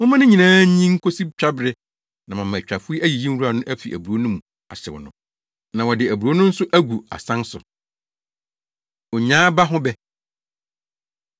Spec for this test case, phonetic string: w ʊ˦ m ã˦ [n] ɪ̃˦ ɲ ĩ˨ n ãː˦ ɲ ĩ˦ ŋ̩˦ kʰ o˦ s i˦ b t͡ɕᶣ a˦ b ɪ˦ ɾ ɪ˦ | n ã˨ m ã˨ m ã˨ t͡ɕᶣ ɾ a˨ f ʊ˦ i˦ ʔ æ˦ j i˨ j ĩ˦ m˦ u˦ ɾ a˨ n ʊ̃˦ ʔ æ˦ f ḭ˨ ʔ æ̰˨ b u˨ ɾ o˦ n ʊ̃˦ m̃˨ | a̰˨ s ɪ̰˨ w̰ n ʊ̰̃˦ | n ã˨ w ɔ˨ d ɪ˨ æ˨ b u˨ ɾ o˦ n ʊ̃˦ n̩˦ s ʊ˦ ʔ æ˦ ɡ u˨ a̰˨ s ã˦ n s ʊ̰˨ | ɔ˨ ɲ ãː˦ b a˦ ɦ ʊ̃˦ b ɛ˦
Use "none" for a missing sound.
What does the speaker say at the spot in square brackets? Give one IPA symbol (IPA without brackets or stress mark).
n